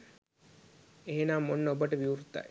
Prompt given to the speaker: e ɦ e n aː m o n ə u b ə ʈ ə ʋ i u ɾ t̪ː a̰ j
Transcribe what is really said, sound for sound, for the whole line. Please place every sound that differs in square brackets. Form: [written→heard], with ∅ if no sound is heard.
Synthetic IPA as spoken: e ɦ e n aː m o [n→nː] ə [u→o] b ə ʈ ə ʋ i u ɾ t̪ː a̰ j